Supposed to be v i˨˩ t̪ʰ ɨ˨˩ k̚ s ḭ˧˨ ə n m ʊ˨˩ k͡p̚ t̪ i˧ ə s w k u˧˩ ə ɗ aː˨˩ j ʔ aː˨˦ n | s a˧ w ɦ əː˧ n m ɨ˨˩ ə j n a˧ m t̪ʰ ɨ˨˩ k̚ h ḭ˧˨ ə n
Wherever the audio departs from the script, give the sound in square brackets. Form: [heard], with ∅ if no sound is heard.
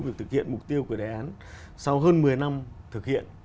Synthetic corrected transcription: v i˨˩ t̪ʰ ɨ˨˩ k̚ [h] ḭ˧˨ ə n m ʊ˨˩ k͡p̚ t̪ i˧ ə [∅] w k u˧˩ ə ɗ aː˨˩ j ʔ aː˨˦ n | s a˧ w ɦ əː˧ n m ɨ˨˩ ə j n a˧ m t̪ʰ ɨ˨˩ k̚ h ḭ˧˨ ə n